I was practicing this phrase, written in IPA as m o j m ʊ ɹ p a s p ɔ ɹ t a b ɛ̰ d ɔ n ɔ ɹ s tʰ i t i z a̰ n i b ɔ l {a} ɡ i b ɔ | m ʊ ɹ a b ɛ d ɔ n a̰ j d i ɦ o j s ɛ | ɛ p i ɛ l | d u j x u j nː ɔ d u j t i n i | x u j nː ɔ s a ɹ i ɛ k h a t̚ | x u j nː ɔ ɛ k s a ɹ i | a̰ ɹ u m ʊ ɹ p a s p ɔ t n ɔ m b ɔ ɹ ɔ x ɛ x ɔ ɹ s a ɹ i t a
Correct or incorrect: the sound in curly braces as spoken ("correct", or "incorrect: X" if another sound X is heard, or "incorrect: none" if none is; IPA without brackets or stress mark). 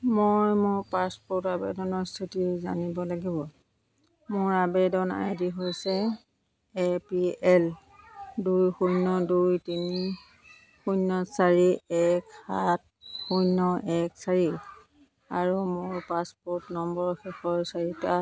correct